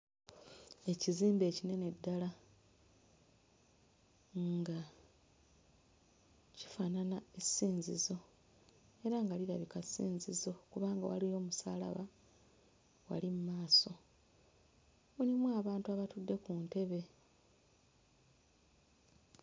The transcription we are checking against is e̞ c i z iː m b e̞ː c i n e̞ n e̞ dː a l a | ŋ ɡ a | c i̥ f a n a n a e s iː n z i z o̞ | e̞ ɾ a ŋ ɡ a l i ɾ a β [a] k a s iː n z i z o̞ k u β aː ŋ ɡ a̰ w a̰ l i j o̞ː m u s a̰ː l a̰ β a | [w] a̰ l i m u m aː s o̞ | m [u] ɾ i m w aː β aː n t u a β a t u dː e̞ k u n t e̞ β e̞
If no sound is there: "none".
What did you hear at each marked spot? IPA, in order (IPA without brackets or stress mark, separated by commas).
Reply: i, w, u